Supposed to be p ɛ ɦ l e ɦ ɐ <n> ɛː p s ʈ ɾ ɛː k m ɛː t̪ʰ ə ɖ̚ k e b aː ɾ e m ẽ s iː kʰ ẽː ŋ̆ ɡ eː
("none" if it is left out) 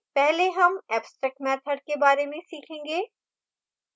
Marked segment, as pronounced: m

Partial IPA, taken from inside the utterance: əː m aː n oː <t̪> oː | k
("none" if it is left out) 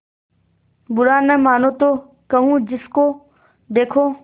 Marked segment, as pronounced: t̪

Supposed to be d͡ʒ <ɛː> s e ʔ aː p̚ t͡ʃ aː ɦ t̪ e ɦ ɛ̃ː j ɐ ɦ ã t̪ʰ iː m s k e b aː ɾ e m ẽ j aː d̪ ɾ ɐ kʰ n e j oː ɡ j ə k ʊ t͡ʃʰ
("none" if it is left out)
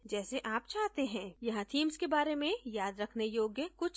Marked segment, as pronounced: ɛː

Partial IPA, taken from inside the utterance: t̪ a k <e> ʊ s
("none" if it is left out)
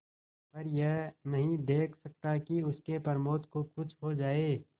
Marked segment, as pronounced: i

